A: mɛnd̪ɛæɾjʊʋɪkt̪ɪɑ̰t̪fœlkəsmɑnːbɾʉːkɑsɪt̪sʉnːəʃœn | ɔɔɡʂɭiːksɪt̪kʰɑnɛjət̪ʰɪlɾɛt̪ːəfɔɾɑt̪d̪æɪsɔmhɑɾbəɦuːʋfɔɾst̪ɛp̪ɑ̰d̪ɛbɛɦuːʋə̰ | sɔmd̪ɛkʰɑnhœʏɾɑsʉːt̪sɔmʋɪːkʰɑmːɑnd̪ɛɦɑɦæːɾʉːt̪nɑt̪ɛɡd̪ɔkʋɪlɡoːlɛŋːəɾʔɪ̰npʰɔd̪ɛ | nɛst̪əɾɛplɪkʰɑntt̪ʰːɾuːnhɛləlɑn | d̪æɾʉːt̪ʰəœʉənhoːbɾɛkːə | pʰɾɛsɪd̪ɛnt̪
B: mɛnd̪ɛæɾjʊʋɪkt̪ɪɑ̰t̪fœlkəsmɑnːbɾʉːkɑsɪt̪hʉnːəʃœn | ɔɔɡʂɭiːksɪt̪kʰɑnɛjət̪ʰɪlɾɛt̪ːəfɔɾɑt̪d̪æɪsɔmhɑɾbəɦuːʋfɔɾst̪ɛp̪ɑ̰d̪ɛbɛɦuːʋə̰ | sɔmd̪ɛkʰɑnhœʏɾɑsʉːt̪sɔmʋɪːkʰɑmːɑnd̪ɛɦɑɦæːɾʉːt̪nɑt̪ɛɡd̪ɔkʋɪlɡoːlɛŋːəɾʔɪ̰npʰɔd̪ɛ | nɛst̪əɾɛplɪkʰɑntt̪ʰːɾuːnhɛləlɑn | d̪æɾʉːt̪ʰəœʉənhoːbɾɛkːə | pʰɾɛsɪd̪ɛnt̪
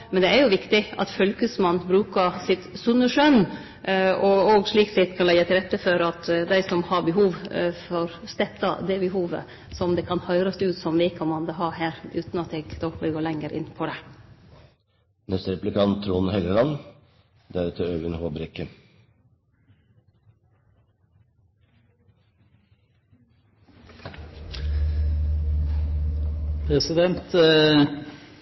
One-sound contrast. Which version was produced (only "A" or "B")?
A